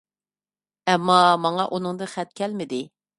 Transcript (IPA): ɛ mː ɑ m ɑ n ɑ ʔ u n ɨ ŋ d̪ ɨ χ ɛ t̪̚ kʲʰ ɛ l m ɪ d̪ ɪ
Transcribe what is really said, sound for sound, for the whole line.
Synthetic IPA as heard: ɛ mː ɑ m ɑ ŋ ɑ ʔ u n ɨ ŋ d̪ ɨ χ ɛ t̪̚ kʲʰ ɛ l m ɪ d̪ ɪ